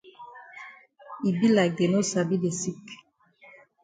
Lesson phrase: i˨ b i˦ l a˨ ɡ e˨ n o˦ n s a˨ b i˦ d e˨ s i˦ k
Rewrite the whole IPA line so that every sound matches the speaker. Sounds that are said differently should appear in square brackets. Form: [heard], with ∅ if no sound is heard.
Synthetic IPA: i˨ b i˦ l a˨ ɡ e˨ n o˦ [∅] s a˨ b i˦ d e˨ s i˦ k